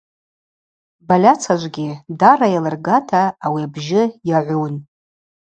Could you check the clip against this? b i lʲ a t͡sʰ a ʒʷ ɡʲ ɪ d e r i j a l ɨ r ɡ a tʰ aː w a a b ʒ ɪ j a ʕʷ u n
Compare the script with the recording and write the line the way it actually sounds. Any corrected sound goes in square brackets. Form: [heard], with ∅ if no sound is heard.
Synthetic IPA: b [a] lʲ a t͡sʰ a ʒʷ ɡʲ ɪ d [a] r [a] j a l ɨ r ɡ a tʰ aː w [i] a b ʒ ɪ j a ʕʷ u n